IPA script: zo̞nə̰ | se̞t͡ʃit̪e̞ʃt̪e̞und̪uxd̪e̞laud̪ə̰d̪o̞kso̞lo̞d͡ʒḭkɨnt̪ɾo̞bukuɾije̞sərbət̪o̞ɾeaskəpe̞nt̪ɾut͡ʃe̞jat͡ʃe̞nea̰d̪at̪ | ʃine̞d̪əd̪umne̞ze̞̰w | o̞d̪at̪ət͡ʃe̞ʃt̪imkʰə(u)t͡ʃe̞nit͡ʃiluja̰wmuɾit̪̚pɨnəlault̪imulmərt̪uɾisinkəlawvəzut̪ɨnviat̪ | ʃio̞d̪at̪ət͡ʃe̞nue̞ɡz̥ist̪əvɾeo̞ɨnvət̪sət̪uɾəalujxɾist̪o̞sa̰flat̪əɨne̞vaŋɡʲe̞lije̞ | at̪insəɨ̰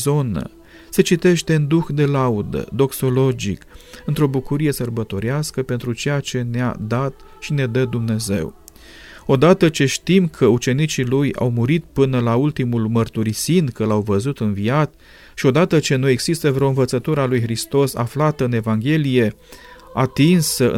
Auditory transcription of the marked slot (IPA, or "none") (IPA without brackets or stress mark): u